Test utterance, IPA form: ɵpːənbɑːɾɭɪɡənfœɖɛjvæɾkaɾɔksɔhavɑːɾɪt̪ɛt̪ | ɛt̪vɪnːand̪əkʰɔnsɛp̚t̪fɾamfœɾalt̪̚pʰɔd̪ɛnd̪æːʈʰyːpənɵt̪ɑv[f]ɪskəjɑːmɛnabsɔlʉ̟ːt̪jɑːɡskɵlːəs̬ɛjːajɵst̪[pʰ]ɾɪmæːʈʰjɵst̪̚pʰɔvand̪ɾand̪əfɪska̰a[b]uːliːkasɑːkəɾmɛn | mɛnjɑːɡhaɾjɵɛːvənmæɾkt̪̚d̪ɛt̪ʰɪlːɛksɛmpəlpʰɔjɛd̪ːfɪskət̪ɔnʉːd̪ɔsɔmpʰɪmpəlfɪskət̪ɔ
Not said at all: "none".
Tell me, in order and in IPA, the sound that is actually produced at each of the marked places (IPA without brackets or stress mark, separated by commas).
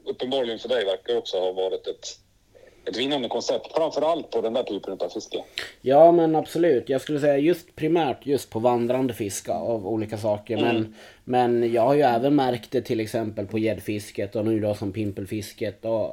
f, pʰ, v